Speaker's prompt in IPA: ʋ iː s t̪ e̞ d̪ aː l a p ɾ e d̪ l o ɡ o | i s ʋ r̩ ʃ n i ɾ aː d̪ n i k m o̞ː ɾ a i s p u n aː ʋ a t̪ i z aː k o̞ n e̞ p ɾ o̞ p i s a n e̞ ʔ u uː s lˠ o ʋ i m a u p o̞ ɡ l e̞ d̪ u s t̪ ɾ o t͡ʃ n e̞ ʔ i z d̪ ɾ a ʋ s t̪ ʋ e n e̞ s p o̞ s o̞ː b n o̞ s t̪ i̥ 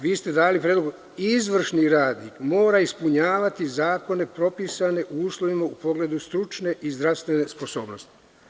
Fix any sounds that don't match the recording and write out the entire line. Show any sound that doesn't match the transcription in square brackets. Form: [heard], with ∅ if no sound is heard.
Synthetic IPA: ʋ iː s t̪ e̞ d̪ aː l [i] p ɾ e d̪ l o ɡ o | i [z] ʋ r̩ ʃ n i ɾ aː d̪ n i k m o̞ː ɾ a i s p u [ɲ] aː ʋ a t̪ i z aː k o̞ n e̞ p ɾ o̞ p i s a n e̞ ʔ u uː s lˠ o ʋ i m a u p o̞ ɡ l e̞ d̪ u s t̪ ɾ [u] t͡ʃ n e̞ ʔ i z d̪ ɾ a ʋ s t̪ ʋ e n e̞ s p o̞ s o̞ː b n o̞ s t̪ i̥